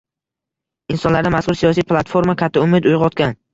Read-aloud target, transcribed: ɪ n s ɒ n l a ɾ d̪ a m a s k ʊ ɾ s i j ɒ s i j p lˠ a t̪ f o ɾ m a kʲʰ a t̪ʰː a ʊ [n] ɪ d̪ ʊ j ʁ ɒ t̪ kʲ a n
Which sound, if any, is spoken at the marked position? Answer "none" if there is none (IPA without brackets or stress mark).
m